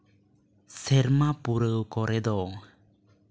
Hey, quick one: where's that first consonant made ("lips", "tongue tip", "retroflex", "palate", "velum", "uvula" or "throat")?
tongue tip